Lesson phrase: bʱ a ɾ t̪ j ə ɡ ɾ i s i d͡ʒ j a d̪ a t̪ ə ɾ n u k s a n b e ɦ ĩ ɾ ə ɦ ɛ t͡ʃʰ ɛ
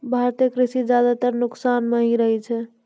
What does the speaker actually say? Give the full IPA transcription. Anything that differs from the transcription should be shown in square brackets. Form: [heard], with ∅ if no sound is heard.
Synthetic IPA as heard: bʱ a ɾ t̪ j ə [k] ɾ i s i d͡ʒ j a d̪ a t̪ ə ɾ n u k s a n [m] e ɦ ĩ ɾ ə ɦ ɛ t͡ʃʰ ɛ